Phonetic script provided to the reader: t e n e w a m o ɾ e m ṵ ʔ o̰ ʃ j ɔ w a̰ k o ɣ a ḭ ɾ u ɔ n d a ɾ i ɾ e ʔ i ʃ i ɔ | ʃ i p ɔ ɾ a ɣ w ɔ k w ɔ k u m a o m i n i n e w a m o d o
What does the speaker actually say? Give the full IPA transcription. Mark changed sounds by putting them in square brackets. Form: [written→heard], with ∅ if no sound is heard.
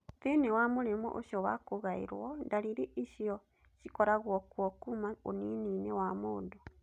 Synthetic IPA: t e n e w a m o ɾ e m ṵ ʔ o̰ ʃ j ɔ w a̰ k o ɣ a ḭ ɾ [u→w] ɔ n d a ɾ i ɾ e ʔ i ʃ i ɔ | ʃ i [p→k] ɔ ɾ a ɣ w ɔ k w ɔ k u m a o [m→n] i n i n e w a m o d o